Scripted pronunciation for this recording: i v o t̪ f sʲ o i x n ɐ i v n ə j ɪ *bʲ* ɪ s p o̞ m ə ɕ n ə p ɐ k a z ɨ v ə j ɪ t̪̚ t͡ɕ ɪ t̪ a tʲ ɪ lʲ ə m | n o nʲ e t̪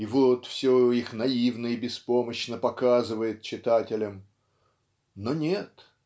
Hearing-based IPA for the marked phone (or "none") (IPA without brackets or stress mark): bʲ